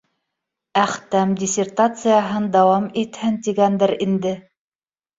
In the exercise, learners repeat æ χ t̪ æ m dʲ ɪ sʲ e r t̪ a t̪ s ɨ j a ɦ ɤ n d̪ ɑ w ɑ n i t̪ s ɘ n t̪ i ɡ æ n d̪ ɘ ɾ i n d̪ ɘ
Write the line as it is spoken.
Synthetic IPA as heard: æ χ t̪ æ m dʲ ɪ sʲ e r t̪ a t̪ s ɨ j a ɦ ɤ n d̪ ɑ w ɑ m i t̪ h ɘ n t̪ i ɡ æ n d̪ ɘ ɾ i n d̪ ɘ